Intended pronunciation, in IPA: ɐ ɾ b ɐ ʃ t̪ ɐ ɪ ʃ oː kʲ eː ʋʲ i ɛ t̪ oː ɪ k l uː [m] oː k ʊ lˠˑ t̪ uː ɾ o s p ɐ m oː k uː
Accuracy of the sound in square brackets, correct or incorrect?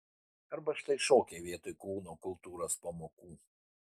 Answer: incorrect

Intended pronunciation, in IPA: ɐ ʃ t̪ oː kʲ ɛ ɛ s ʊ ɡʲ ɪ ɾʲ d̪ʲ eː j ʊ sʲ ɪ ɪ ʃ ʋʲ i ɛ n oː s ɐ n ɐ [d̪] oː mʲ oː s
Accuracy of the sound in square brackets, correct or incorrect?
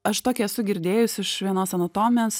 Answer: incorrect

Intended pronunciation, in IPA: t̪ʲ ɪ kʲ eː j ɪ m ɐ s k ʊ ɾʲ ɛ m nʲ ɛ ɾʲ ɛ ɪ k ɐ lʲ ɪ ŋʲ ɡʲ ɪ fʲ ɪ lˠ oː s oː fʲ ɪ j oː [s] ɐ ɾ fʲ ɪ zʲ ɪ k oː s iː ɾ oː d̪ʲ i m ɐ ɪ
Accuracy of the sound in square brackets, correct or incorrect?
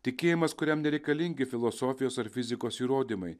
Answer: correct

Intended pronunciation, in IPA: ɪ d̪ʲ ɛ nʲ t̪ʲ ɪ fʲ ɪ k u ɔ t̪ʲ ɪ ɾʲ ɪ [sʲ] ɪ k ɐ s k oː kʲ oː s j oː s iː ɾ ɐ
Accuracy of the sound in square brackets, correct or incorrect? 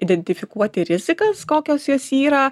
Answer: incorrect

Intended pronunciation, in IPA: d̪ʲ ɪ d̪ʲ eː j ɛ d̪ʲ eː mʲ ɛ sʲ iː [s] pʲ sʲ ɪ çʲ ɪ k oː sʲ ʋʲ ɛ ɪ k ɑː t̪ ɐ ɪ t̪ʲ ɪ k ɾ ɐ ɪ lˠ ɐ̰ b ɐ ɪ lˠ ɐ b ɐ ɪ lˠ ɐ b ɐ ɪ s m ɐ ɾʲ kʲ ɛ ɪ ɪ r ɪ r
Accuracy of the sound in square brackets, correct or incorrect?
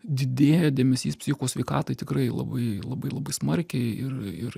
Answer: correct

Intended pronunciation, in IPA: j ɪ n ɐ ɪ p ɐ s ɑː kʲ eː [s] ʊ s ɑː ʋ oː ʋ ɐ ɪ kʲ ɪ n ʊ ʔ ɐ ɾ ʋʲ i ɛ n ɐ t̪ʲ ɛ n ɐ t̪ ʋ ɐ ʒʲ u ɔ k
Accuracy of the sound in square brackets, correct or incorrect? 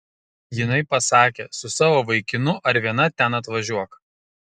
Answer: correct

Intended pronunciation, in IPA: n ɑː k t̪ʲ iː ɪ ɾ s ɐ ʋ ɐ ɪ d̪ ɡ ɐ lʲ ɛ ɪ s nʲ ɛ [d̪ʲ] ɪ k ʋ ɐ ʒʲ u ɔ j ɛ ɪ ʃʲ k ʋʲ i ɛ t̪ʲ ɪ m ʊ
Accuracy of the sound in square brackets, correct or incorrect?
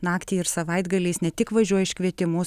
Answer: incorrect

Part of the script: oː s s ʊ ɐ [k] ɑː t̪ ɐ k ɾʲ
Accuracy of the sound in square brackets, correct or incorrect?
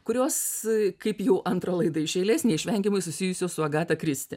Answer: incorrect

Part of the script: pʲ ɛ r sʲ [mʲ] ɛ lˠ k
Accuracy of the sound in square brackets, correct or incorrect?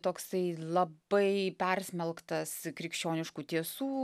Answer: correct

